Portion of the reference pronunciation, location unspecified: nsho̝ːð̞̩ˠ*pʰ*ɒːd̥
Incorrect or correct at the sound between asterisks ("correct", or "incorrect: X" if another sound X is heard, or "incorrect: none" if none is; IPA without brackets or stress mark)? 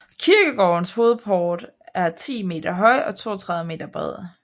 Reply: correct